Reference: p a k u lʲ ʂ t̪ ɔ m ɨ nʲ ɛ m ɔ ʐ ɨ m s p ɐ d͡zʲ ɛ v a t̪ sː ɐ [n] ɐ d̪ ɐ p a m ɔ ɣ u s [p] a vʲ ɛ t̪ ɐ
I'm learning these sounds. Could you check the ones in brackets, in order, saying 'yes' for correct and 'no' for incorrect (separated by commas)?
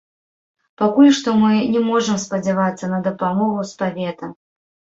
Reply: yes, yes